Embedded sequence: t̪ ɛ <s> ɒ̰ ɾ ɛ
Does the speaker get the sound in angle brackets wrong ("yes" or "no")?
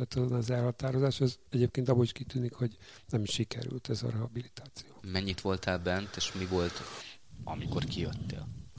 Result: yes